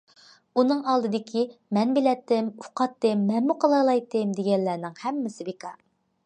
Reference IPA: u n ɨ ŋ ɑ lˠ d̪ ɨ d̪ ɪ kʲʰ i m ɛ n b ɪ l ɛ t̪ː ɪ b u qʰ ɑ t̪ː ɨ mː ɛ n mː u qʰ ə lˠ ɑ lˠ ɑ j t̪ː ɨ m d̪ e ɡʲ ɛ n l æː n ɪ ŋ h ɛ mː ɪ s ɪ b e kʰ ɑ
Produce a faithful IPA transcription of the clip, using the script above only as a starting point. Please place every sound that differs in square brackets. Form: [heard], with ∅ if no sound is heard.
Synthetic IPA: u n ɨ ŋ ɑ lˠ d̪ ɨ d̪ ɪ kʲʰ i m ɛ n b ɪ l ɛ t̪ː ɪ [m] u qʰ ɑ t̪ː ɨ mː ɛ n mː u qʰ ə lˠ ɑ lˠ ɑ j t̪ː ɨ m d̪ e ɡʲ ɛ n [lː] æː n ɪ ŋ h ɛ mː ɪ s ɪ b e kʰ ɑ